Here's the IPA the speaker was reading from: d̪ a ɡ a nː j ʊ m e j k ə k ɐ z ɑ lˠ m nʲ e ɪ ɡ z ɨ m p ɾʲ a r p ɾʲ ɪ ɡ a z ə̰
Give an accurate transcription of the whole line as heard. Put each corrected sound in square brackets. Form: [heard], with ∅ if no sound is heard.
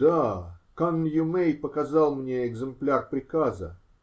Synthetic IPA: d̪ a [k] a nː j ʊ m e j [p] ə k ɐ z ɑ lˠ m nʲ e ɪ ɡ z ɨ m p [lʲ] a r p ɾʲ ɪ [k] a z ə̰